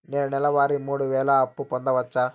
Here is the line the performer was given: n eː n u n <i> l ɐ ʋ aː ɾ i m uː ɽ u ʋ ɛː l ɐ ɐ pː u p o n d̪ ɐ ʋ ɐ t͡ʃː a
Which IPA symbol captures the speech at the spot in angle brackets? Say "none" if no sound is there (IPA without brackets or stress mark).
ɛ